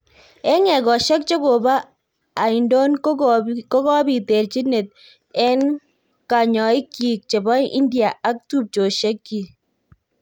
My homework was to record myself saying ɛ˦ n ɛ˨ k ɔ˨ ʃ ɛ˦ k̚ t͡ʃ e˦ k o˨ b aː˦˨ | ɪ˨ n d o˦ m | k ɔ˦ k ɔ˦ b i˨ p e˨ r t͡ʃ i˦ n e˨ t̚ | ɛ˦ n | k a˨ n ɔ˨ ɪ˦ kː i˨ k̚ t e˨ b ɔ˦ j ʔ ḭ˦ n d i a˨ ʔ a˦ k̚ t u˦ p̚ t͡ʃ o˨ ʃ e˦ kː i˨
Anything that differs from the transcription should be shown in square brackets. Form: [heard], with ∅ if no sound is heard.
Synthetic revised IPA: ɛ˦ [ŋ] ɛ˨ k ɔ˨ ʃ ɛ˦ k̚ t͡ʃ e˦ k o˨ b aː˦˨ | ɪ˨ n d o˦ [n] | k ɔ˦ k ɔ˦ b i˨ [t] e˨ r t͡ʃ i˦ n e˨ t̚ | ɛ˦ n | k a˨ [ɲ] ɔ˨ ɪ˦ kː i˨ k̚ [t͡ʃ] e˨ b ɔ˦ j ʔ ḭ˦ n d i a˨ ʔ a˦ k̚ t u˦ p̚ t͡ʃ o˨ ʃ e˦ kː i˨